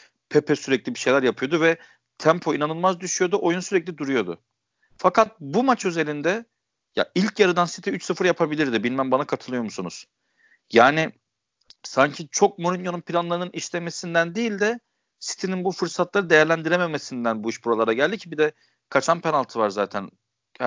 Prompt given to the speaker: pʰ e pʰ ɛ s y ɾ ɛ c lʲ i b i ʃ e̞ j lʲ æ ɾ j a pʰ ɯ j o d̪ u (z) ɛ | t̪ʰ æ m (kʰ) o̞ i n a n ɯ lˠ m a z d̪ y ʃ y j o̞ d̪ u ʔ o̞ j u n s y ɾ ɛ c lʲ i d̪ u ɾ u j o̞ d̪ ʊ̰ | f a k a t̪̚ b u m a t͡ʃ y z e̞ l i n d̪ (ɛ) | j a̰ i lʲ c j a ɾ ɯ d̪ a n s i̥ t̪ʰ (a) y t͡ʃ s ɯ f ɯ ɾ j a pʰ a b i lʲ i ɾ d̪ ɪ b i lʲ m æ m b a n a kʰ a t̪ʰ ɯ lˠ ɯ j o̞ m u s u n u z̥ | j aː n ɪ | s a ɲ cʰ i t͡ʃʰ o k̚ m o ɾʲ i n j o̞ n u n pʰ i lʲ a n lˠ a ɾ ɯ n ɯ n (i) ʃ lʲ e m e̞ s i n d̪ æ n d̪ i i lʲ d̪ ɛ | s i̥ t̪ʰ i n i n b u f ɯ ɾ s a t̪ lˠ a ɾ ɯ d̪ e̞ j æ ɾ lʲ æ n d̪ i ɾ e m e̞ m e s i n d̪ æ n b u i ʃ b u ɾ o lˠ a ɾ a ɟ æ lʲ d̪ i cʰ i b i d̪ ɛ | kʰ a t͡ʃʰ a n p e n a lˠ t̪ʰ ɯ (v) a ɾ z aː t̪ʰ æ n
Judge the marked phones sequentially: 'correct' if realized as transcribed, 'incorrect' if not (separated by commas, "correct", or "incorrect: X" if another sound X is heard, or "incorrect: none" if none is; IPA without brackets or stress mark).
incorrect: v, incorrect: pʰ, correct, incorrect: i, correct, correct